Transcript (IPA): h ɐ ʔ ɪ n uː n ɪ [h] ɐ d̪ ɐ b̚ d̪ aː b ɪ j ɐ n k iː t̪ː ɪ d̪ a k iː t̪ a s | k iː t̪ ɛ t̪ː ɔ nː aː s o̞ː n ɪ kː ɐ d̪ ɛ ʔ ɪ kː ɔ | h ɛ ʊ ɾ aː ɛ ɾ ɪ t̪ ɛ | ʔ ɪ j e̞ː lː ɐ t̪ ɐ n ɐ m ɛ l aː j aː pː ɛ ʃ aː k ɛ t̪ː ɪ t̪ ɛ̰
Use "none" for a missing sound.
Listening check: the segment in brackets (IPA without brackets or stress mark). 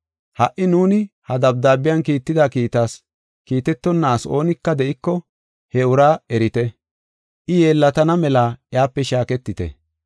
h